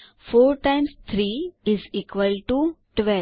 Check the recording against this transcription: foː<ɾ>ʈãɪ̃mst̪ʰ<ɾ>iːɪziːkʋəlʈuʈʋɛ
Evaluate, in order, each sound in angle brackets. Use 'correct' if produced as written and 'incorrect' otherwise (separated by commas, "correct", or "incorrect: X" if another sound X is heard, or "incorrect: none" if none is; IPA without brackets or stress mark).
correct, correct